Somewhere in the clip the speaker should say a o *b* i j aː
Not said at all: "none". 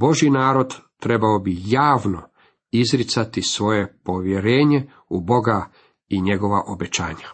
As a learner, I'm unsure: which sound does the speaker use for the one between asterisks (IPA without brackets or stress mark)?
b